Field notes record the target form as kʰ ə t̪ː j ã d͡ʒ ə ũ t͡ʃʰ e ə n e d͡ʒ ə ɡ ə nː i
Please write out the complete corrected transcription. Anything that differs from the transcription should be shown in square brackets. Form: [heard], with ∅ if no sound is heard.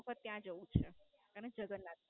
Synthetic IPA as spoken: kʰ ə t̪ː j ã d͡ʒ ə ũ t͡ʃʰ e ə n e d͡ʒ ə ɡ ə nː [a]